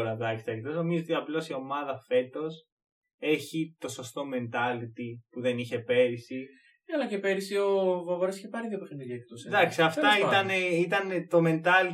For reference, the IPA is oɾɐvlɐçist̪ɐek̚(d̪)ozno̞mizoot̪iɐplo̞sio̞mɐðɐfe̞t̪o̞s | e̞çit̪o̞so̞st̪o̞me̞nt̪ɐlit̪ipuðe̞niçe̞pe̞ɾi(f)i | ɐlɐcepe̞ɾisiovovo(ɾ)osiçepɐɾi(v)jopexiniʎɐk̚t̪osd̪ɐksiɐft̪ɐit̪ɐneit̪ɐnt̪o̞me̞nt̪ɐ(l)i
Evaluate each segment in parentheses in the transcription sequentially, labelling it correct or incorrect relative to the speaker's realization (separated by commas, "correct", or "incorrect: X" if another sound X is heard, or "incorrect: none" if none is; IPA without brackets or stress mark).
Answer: incorrect: t̪, incorrect: s, correct, incorrect: ð, correct